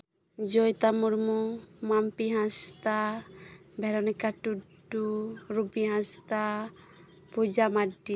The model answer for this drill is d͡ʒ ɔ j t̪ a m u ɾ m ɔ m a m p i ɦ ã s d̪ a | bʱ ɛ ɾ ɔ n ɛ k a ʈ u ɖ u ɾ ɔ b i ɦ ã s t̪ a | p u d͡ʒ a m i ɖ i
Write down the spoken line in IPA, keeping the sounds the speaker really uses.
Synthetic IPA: d͡ʒ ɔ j t̪ a m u ɾ m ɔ m a m p i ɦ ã s t̪ a | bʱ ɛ ɾ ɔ n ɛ k a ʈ u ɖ u ɾ u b i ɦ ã s t̪ a | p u d͡ʒ a m a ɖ i